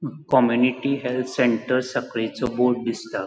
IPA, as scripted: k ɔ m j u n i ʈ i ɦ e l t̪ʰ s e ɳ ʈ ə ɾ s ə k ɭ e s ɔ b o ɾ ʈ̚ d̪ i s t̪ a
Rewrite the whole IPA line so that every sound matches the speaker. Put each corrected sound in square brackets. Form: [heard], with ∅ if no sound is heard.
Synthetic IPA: k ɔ m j u n i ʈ i ɦ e l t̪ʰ s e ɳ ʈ ə ɾ s ə k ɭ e [t͡s] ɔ b o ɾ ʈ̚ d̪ i s t̪ a